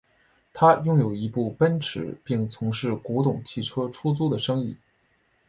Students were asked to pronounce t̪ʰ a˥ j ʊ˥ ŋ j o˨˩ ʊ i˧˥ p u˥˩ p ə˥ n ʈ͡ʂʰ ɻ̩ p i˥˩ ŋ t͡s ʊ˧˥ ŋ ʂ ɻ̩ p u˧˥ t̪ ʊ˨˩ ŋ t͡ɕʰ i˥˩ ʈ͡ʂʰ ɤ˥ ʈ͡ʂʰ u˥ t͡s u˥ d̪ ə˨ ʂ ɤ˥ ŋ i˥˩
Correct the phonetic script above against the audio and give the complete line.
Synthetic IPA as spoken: t̪ʰ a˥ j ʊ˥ ŋ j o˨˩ ʊ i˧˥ p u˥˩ p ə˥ n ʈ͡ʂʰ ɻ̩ p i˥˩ ŋ t͡sʰ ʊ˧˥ ŋ ʂ ɻ̩ k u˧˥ t̪ ʊ˨˩ ŋ t͡ɕʰ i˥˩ ʈ͡ʂʰ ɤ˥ ʈ͡ʂʰ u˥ t͡s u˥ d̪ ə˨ ʂ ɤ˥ ŋ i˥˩